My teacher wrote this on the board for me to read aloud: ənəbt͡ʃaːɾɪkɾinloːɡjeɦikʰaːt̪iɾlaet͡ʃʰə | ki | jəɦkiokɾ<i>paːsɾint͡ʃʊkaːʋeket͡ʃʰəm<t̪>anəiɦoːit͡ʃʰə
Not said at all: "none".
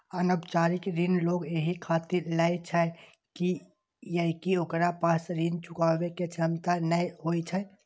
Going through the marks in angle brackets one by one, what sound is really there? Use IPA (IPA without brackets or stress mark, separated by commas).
a, t̪